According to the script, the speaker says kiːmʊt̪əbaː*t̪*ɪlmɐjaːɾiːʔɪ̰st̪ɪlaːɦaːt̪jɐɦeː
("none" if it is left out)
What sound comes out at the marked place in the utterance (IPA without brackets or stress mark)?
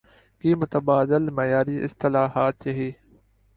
d̪